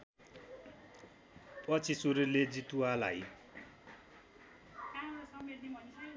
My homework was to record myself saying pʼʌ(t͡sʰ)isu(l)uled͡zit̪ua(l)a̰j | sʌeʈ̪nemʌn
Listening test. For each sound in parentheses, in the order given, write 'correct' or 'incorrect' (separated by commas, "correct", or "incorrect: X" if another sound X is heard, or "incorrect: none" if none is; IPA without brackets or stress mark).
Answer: correct, incorrect: ɾ, correct